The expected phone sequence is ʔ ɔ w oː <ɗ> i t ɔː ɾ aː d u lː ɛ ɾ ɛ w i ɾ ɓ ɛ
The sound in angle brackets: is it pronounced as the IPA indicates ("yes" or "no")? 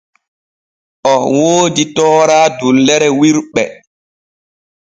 no